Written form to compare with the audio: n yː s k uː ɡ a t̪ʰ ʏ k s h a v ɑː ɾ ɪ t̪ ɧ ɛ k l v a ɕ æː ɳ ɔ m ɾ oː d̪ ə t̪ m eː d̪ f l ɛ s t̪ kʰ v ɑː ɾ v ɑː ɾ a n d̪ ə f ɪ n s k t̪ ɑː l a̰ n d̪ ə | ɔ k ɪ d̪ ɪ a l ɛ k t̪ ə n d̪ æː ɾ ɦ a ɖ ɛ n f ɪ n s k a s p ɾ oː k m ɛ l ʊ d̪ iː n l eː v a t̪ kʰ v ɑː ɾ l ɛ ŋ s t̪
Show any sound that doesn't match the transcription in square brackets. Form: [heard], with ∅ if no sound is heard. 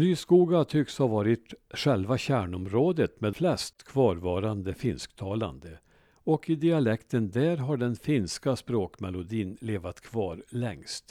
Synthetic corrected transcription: n yː s k uː ɡ a t̪ʰ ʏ k s h a v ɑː ɾ ɪ t̪ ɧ ɛ [∅] l v a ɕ æː ɳ ɔ m ɾ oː d̪ ə t̪ m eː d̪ f l ɛ s t̪ kʰ v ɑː ɾ v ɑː ɾ a n d̪ ə f ɪ n s k [t̪ʰ] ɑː l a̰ n d̪ ə | ɔ k ɪ d̪ ɪ a l ɛ k t̪ ə n d̪ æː ɾ ɦ a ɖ ɛ n f ɪ n s k a s p ɾ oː k m ɛ l ʊ d̪ iː n l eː v a t̪ kʰ v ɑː ɾ l ɛ ŋ s t̪